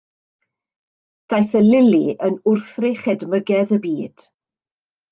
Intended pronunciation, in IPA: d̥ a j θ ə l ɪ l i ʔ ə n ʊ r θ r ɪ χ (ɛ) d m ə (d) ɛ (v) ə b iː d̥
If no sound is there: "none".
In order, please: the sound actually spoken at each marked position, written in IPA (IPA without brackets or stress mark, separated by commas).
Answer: ɛ, ɡ, ð